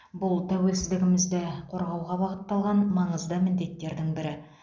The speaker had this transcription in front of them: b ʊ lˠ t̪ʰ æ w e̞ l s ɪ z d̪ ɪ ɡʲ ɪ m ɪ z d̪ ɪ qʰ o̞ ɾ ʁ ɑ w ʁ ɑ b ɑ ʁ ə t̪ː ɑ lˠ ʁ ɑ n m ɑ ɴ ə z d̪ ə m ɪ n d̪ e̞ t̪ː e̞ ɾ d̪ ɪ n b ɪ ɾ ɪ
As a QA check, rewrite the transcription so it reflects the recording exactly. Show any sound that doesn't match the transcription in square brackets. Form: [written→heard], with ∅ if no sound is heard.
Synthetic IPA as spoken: b ʊ lˠ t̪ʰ æ w e̞ l s ɪ z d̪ ɪ ɡʲ ɪ m ɪ z d̪ ɪ qʰ o̞ ɾ ʁ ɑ w ʁ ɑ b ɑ ʁ ə t̪ː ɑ lˠ ʁ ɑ n m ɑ ɴ ə z d̪ ə m ɪ n d̪ e̞ t̪ː e̞ ɾ d̪ ɪ [n→ŋ] b ɪ ɾ ɪ